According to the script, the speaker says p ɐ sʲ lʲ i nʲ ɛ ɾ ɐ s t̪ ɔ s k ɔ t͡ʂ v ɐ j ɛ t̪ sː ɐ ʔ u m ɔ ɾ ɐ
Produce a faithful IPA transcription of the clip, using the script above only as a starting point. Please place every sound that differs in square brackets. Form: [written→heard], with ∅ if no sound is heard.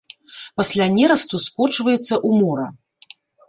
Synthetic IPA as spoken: p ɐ sʲ lʲ [i→a] nʲ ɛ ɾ ɐ s t̪ [ɔ→u] s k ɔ t͡ʂ v ɐ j ɛ t̪ sː ɐ ʔ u m ɔ ɾ ɐ